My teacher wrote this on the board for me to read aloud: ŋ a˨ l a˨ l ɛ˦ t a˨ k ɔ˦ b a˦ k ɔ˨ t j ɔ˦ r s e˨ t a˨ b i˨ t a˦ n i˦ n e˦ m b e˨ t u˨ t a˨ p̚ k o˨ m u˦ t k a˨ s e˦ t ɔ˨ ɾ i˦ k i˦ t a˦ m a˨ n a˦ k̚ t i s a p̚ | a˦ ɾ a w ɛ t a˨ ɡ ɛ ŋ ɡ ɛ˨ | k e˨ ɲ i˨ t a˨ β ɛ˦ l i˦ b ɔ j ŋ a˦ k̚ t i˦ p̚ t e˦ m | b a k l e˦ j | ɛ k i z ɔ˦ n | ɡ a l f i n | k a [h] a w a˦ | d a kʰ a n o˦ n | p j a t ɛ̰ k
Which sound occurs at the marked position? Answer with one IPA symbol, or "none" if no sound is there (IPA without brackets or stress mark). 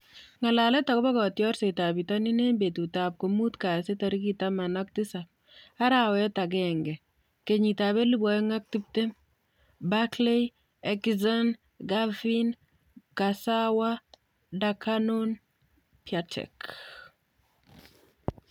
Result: s